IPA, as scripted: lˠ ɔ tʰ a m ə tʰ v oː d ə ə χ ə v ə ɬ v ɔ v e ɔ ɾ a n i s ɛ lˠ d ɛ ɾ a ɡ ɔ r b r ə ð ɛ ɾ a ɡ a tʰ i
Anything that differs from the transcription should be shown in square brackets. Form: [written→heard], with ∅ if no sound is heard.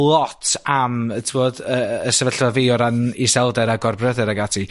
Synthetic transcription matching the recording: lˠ ɔ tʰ a m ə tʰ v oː d ə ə [χ→s] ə v ə ɬ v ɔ v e ɔ ɾ a n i s ɛ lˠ d ɛ ɾ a ɡ ɔ r b r ə ð ɛ ɾ a ɡ a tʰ i

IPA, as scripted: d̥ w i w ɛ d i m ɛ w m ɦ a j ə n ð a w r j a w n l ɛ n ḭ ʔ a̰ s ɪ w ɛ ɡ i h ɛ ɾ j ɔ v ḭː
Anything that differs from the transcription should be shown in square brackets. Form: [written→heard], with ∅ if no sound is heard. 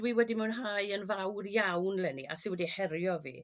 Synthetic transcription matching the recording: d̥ w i w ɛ d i m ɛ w [m→n] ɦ a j ə n [ð→v] a w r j a w n l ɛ n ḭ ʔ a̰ s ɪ w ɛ [ɡ→d] i h ɛ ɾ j ɔ v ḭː

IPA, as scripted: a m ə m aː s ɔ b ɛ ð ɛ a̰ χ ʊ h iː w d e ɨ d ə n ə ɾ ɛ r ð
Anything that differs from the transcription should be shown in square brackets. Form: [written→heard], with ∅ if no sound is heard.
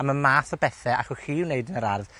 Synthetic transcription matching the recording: a m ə m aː [s→θ] ɔ b ɛ [ð→θ] ɛ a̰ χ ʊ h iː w [d→n] e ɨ d ə n ə ɾ [ɛ→a] r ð

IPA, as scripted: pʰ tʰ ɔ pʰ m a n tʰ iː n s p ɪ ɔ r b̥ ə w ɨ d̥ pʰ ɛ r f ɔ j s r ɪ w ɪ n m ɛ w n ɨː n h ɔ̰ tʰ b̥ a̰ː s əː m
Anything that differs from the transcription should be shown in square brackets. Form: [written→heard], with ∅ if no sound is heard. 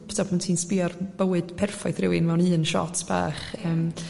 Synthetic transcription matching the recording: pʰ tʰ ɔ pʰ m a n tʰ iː n s p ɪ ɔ r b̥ ə w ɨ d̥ pʰ ɛ r f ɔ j [s→θ] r ɪ w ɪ n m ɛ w n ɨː n [h→ʃ] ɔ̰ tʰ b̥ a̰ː [s→χ] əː m

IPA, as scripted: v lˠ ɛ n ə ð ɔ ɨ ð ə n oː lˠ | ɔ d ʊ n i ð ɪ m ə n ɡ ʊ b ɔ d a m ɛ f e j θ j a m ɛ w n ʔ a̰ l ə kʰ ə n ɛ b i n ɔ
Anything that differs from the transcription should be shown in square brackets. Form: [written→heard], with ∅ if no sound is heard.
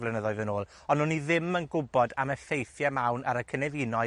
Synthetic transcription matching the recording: v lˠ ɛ n ə ð ɔ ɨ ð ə n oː lˠ | ɔ [d→n] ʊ n i ð ɪ m ə n ɡ ʊ b ɔ d a m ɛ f e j θ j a m [ɛ→a] w n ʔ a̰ [l→ɾ] ə kʰ ə n ɛ [b→v] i n ɔ

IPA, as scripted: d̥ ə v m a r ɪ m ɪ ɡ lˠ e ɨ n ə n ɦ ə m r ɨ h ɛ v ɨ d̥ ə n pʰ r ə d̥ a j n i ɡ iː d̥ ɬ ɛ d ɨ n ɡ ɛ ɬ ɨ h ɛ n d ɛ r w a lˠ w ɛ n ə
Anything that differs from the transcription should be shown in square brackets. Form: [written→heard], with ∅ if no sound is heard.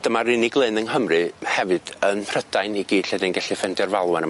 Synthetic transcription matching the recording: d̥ ə [v→∅] m a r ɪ [m→n] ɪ ɡ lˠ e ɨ n ə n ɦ ə m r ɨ h ɛ v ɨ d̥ ə n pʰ r ə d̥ a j n i ɡ iː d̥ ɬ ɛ d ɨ n ɡ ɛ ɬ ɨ [h→f] ɛ n d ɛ r [w→v] a lˠ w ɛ n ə

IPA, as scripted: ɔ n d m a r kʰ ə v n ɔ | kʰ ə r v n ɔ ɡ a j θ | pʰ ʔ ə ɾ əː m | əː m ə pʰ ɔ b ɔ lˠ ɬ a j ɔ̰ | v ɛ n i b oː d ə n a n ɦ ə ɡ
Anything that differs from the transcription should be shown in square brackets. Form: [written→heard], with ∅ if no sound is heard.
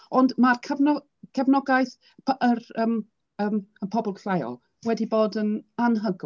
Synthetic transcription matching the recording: ɔ n d m a r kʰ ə v n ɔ | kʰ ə [r→∅] v n ɔ ɡ a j θ | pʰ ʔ ə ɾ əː m | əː m ə pʰ ɔ b ɔ lˠ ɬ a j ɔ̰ | [v→w] ɛ [n→d] i b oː d ə n a n ɦ ə ɡ

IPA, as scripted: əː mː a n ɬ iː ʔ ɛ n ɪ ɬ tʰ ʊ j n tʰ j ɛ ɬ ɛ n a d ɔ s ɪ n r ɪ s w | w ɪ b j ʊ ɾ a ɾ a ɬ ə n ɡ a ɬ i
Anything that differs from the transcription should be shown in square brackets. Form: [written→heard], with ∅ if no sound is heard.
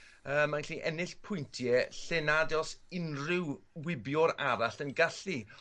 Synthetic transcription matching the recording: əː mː a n ɬ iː ʔ ɛ n ɪ ɬ [tʰ→pʰ] ʊ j n tʰ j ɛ ɬ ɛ n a d ɔ s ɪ n r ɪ [s→∅] w | w ɪ b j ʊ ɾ a ɾ a ɬ ə n ɡ a ɬ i

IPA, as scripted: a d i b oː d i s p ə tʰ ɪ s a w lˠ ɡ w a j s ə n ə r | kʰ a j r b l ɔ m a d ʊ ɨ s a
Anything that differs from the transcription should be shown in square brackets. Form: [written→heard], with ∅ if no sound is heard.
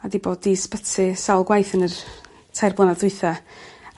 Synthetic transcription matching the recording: a d i b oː d i s p ə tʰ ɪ s a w lˠ ɡ w a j [s→θ] ə n ə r | [kʰ→tʰ] a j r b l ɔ [m→n] a d ʊ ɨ [s→θ] a

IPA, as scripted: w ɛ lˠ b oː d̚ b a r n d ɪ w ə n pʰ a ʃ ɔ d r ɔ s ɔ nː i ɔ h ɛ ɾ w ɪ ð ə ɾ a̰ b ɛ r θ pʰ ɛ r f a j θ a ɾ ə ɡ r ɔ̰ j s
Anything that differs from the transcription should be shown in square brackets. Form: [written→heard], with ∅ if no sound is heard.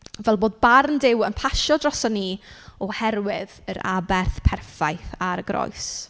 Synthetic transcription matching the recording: [w→v] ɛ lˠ b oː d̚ b a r n d ɪ w ə n pʰ a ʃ ɔ d r ɔ s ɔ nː i ɔ h ɛ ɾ w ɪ ð ə ɾ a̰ b ɛ r θ pʰ ɛ r f a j θ a ɾ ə ɡ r ɔ̰ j s

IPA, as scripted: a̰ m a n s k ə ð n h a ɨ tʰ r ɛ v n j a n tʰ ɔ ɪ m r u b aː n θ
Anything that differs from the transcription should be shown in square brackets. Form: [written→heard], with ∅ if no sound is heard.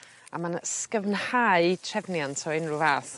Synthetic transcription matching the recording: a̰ m a n s k ə [ð→v] n h a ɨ tʰ r ɛ v n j a n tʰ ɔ ɪ [m→n] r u [b→v] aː [n→∅] θ

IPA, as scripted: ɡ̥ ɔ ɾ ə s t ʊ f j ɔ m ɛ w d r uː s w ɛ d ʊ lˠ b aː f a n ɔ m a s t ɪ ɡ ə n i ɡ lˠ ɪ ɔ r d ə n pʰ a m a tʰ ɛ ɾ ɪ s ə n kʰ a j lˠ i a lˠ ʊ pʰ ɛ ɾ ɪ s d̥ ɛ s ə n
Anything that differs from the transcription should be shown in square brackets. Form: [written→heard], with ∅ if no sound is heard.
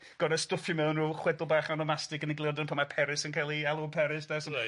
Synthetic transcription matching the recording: ɡ̥ ɔ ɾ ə s t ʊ f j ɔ m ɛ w [d→n] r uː [s→χ] w ɛ d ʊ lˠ b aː [f→χ] a n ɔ m a s t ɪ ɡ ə n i ɡ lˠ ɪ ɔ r d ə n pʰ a m a [tʰ→pʰ] ɛ ɾ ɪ s ə n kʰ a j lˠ i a lˠ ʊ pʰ ɛ ɾ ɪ s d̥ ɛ s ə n

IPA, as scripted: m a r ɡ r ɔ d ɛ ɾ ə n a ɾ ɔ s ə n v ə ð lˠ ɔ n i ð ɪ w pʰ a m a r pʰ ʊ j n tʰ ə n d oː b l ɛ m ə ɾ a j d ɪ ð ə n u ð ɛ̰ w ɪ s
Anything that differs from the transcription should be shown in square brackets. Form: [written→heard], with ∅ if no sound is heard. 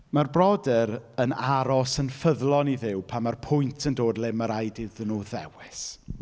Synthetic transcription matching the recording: m a r [ɡ→b] r ɔ d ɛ ɾ ə n a ɾ ɔ s ə n [v→f] ə ð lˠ ɔ n i ð ɪ w pʰ a m a r pʰ ʊ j n tʰ ə n d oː [b→d] l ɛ m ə ɾ a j d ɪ ð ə n u ð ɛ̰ w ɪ s

